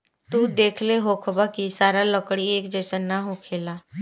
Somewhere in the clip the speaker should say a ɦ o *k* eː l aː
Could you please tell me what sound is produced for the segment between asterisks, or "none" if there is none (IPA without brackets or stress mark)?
kʰ